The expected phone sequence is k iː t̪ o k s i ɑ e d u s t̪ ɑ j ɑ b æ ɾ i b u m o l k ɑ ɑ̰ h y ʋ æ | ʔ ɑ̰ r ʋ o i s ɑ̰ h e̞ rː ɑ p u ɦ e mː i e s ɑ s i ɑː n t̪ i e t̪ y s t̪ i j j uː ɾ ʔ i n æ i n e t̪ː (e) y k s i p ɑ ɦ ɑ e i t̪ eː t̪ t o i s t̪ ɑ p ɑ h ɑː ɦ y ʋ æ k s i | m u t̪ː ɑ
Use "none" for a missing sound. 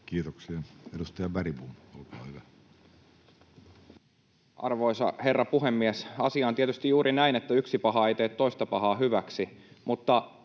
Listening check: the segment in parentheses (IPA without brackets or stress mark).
æ